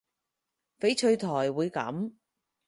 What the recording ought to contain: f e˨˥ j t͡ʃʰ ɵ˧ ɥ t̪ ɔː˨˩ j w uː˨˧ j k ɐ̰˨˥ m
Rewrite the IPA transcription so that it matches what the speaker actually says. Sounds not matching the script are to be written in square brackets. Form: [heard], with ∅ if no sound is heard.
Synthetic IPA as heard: f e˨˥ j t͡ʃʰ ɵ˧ ɥ [t̪ʰ] ɔː˨˩ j w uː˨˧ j k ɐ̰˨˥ m